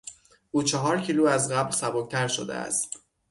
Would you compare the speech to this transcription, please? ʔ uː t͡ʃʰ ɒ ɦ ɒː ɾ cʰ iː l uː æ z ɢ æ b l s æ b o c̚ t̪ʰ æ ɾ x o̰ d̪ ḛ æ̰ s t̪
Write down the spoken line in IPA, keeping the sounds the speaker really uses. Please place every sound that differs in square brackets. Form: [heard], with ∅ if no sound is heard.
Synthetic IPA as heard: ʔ uː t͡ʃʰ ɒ ɦ ɒː ɾ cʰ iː l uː æ z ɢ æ b l s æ b o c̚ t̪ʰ æ ɾ [ʃ] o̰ d̪ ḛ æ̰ s t̪